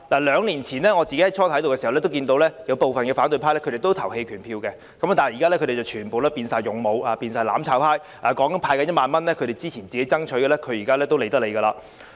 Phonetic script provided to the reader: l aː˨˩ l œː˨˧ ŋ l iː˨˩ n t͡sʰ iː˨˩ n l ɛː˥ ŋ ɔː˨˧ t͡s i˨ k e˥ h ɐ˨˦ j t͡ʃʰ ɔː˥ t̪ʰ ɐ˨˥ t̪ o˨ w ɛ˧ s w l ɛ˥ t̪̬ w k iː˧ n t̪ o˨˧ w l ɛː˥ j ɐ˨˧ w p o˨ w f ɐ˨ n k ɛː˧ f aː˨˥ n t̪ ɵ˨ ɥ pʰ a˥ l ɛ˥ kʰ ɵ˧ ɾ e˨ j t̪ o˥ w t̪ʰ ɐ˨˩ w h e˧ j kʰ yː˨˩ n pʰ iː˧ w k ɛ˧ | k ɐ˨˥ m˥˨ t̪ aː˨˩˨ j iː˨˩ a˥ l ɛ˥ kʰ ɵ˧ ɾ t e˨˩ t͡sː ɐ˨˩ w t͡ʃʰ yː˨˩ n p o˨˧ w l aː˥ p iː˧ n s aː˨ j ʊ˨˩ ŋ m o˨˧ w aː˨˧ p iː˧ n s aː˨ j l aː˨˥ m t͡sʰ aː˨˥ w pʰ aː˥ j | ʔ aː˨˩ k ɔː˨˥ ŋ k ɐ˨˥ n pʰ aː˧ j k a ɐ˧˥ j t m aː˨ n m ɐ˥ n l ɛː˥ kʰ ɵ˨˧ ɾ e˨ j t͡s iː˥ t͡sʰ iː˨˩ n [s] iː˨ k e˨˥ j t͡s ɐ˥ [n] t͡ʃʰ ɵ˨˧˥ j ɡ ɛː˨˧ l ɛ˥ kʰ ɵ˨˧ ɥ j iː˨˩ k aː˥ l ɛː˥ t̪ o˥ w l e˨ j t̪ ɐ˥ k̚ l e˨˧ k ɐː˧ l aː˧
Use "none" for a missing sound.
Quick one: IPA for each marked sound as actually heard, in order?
t͡s, ŋ

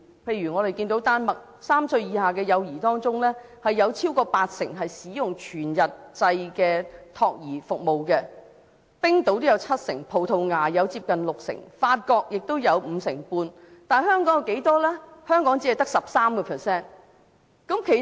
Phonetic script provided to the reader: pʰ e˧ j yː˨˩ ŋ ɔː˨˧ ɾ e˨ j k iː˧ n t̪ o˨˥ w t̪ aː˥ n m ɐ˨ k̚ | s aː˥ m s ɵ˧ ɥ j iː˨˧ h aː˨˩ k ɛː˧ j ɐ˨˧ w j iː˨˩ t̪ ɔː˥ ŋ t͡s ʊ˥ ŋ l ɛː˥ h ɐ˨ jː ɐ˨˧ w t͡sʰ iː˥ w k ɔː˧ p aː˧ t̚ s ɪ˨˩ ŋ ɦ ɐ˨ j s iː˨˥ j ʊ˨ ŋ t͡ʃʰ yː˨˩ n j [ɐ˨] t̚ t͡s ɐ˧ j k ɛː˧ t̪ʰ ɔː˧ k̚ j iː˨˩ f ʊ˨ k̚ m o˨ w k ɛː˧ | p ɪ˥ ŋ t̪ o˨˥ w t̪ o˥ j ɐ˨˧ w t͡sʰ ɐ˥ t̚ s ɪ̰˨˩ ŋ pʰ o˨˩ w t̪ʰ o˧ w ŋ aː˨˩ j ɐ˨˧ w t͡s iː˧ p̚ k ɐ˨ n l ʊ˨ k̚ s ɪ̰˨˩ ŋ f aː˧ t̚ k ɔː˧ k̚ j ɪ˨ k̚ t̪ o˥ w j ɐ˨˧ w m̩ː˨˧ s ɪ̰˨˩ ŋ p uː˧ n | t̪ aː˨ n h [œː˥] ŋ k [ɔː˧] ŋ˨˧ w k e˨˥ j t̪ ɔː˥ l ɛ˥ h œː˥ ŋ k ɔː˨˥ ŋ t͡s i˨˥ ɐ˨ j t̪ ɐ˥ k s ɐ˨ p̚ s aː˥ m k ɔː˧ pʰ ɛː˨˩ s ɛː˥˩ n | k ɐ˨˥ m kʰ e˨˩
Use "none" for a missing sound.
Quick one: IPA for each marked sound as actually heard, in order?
ɐ˨, œː˥, ɔː˨˥

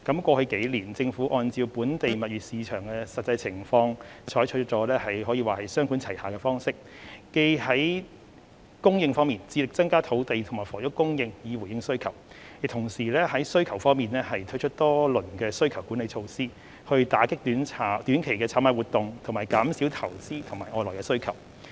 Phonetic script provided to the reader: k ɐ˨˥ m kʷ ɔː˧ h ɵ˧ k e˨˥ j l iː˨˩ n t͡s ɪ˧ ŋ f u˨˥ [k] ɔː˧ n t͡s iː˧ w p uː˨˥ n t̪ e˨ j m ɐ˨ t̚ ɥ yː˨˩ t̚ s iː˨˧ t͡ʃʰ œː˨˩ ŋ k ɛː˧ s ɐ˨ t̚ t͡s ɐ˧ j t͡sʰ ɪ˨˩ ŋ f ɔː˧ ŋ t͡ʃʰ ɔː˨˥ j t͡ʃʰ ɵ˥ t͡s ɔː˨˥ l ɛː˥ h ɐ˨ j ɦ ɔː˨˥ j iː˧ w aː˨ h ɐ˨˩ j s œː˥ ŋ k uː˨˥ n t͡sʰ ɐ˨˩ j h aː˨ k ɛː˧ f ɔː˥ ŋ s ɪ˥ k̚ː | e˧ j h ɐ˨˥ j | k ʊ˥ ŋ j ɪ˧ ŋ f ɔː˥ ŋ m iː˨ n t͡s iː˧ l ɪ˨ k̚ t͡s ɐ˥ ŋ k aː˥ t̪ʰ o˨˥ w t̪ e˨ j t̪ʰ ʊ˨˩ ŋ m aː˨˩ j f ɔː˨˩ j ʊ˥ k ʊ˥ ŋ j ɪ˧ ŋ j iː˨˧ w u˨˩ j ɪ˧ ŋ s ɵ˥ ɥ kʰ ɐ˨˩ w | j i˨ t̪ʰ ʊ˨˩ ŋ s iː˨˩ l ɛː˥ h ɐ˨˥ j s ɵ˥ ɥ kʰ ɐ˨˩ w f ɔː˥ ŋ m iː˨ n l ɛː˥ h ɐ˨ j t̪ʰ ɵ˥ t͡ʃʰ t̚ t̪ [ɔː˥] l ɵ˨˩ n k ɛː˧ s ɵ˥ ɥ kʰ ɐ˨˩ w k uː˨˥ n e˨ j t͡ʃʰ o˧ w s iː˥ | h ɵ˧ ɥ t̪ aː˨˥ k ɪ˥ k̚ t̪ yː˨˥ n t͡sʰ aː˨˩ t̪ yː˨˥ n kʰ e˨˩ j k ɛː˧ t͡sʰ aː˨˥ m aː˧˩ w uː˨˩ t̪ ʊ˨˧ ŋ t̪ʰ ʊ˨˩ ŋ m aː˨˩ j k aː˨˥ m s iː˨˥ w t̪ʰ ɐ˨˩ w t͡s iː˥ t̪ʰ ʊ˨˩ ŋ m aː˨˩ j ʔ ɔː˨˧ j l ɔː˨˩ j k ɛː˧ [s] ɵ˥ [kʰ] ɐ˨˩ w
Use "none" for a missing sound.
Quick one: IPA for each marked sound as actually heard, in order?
ʔ, ɔː˥, s, kʰ

